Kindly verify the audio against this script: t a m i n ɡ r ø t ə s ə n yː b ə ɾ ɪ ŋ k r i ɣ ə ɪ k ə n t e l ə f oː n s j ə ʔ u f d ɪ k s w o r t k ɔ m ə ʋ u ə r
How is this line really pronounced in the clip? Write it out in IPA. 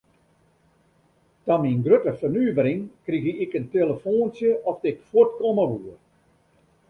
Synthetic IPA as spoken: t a m i n ɡ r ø t ə f ə n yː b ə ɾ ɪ ŋ k r i ɣ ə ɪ k ə n t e l ə f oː n s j ə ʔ ɔ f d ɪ k f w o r t k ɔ m ə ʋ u ə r